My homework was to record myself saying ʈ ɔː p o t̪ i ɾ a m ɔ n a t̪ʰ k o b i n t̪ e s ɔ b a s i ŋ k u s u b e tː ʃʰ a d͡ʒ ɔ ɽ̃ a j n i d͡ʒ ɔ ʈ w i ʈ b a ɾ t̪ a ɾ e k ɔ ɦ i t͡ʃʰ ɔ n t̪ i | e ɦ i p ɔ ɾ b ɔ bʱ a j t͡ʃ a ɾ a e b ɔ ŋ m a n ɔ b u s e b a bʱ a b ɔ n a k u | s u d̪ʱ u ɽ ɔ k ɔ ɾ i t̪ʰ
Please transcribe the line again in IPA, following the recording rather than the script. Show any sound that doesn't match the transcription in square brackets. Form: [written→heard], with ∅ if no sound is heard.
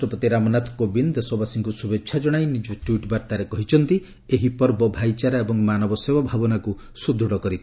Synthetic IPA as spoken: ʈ [ɔː→ɔ] p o t̪ i ɾ a m ɔ n a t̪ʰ k o b i n [t̪→d̪] e s ɔ b a s i ŋ k u s u b e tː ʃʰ a d͡ʒ ɔ ɽ̃ a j n i d͡ʒ ɔ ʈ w i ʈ b a ɾ t̪ a ɾ e k ɔ ɦ i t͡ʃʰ ɔ n t̪ i | e ɦ i p ɔ ɾ b ɔ bʱ a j t͡ʃ a ɾ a e b ɔ ŋ m a n ɔ b [u→ɔ] s e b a bʱ a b ɔ n a k u | s u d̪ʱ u ɽ ɔ k ɔ ɾ i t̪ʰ